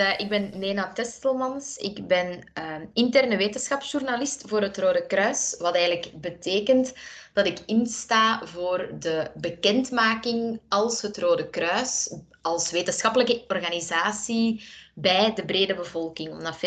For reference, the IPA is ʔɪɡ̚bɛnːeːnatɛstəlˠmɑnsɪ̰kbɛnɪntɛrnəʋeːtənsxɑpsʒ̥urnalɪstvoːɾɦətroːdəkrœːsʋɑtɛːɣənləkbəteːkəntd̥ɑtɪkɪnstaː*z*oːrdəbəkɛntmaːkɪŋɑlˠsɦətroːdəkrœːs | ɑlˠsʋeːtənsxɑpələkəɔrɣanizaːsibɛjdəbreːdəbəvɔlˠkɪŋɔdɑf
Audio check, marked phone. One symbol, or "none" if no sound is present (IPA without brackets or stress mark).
v